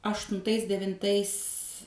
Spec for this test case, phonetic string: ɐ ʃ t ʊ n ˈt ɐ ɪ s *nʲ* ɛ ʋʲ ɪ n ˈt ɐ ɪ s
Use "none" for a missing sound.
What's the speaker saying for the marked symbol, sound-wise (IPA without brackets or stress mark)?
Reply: dʲ